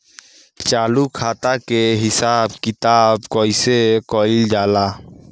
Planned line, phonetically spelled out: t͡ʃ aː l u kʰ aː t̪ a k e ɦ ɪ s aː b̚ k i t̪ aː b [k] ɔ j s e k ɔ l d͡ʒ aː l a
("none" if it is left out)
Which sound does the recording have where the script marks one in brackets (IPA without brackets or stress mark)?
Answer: k